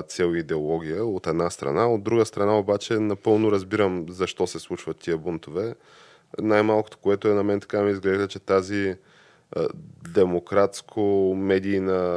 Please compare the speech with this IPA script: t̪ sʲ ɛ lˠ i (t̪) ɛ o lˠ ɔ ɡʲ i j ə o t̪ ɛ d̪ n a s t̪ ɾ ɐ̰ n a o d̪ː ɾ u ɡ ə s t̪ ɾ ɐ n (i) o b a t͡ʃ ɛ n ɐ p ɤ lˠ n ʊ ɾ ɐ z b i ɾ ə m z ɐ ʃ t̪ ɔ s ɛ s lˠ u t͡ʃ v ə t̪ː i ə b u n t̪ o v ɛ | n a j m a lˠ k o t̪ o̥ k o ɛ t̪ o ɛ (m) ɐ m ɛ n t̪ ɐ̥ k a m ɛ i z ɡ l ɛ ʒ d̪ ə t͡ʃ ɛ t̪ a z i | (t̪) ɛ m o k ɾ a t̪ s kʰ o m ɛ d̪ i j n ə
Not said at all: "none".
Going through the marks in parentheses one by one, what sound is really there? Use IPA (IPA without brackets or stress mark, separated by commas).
d̪, a, n, d̪